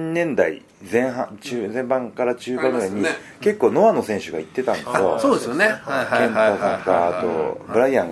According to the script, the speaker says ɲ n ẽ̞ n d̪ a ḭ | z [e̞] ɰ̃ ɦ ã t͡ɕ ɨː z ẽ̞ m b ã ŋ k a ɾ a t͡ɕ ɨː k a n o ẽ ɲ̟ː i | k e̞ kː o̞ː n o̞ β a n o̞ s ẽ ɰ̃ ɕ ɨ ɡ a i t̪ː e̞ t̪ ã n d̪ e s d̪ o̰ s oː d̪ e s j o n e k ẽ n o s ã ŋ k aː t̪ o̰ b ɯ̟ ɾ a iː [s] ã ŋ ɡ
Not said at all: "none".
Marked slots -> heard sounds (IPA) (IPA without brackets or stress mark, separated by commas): ẽ̞, none